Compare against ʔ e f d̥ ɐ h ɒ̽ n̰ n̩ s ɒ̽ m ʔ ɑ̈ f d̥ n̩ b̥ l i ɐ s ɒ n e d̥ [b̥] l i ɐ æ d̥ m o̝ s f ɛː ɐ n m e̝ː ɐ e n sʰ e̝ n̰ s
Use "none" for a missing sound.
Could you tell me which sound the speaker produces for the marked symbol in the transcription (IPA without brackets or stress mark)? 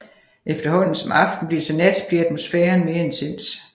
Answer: b̥